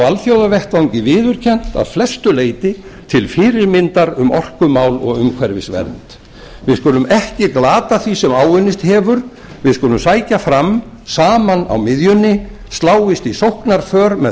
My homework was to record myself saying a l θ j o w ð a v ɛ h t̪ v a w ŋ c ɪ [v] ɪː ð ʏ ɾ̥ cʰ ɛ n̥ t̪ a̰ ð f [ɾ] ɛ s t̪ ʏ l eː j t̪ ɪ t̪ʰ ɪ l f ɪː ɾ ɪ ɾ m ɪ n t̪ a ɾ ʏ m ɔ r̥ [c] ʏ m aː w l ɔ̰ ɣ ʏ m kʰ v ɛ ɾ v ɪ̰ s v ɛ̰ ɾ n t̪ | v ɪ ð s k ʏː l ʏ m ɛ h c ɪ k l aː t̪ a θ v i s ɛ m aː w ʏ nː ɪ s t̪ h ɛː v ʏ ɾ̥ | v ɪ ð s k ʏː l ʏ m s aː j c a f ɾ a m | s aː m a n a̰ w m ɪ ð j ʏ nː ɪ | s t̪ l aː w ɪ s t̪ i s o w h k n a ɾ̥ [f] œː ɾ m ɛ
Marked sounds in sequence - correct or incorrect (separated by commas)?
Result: correct, incorrect, incorrect, correct